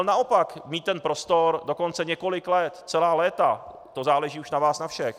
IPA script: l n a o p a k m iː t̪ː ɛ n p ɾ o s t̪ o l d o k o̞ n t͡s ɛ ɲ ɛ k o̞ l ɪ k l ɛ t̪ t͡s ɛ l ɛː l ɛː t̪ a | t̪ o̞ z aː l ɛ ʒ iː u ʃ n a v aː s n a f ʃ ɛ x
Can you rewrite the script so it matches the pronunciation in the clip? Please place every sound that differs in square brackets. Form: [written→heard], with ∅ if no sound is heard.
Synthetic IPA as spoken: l n a o p a k m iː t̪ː ɛ n p ɾ o s t̪ o [l→ɾ] d o k o̞ n t͡s ɛ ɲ ɛ k o̞ l ɪ k l ɛ t̪ t͡s ɛ l [ɛː→aː] l ɛː t̪ a | t̪ o̞ z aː l ɛ ʒ iː u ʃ n a v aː s n a f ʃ ɛ x